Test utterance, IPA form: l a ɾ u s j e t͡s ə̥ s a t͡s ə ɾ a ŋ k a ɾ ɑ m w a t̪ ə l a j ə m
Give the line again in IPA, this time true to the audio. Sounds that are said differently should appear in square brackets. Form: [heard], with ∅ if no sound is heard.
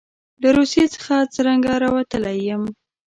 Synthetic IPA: l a ɾ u s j e t͡s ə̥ [x] a t͡s ə ɾ a ŋ [ɡ] a ɾ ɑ [∅] w a t̪ ə l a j ə m